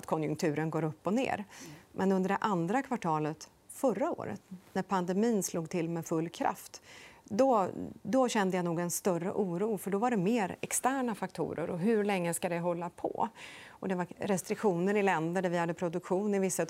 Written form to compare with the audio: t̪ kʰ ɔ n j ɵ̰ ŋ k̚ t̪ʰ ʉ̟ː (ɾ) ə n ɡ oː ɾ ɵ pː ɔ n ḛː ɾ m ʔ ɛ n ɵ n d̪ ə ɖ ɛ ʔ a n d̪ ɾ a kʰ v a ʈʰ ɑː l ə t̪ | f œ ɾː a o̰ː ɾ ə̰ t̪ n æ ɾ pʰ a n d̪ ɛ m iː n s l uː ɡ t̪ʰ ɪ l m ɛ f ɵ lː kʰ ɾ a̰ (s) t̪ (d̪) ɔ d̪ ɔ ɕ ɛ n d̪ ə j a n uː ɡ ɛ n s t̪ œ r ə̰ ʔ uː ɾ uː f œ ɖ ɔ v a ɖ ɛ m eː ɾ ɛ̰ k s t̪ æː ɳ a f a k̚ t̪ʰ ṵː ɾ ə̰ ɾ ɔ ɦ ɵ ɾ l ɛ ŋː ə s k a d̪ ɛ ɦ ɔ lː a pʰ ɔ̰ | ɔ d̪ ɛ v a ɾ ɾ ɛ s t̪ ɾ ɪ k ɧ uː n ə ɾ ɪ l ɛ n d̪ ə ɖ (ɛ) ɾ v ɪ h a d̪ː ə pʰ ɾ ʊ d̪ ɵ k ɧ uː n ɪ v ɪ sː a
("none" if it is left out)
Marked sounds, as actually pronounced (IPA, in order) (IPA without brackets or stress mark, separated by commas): ɾ, f, d̪, æ